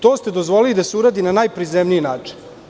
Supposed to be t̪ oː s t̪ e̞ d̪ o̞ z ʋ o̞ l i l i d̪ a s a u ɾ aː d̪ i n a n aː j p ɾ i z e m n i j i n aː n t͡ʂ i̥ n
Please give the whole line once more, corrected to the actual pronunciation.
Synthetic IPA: t̪ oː s t̪ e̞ d̪ o̞ z ʋ o̞ l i l i d̪ a s e u ɾ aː d̪ i n a n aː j p ɾ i z e m n i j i n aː t͡ʂ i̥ n